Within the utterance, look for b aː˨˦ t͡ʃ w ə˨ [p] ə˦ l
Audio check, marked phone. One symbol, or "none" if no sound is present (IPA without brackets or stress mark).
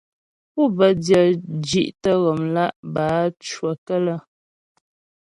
k